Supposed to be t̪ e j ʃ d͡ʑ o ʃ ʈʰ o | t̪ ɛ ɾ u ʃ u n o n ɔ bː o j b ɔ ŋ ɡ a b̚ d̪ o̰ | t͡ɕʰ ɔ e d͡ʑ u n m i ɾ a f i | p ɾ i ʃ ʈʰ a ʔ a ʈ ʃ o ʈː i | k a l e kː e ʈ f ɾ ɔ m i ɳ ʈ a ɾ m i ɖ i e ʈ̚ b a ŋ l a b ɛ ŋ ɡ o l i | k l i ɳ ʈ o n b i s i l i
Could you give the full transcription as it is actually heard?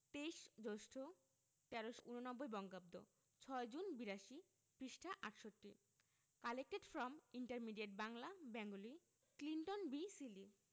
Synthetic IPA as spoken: t̪ e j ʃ d͡ʑ o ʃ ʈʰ o | t̪ ɛ ɾ o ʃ u n o n ɔ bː o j b ɔ ŋ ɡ a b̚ d̪ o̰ | t͡ɕʰ ɔ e d͡ʑ u n b i ɾ a ʃ i | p ɾ i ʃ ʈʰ a ʔ a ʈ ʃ o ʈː i | k a l e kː e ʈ f ɾ ɔ m i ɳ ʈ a ɾ m i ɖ i e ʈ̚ b a ŋ l a b ɛ ŋ ɡ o l i | k l i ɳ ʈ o n b i s i l i